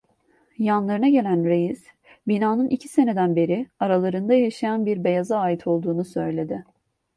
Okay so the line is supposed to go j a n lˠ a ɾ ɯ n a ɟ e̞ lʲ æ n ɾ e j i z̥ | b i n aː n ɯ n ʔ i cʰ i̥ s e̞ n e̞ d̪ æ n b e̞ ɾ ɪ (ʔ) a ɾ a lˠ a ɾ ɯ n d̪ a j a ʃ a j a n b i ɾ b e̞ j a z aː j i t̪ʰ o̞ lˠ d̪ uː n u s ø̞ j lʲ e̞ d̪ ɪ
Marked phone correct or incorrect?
incorrect